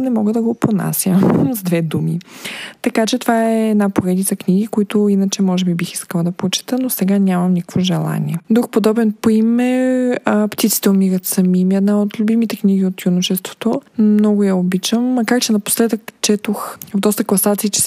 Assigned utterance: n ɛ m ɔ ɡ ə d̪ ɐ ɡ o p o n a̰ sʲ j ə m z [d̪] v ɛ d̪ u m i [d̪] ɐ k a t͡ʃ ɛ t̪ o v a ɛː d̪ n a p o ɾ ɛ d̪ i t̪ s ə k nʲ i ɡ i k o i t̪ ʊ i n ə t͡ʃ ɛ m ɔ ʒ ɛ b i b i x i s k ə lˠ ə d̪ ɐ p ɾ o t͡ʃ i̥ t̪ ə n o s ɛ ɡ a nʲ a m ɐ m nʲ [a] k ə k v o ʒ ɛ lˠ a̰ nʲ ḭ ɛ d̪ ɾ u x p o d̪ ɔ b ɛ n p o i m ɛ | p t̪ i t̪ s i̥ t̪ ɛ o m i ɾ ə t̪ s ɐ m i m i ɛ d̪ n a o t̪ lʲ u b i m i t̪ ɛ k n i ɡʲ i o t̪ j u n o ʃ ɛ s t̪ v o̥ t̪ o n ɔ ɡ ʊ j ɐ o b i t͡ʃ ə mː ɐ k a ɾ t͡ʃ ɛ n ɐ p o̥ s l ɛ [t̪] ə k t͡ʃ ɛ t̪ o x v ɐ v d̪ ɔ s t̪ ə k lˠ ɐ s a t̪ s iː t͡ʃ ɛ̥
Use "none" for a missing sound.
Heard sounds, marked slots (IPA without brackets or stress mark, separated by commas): d̪, t̪, i, d̪